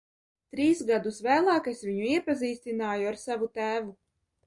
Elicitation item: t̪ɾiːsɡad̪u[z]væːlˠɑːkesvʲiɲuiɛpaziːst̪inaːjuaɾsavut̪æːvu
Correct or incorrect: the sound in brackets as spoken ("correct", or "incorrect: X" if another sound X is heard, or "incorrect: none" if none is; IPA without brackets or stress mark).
incorrect: s